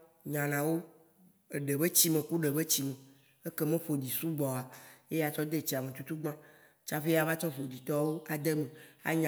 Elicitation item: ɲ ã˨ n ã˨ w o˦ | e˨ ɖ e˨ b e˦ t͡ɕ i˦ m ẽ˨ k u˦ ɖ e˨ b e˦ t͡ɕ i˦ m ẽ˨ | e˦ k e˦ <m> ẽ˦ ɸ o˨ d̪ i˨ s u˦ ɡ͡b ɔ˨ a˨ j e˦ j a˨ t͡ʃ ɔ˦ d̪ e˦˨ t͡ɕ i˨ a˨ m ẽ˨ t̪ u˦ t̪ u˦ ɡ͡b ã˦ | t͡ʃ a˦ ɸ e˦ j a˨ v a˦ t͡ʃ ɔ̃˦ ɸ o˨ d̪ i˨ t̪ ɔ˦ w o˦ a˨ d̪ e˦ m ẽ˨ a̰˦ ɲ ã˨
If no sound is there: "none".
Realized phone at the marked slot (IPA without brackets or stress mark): m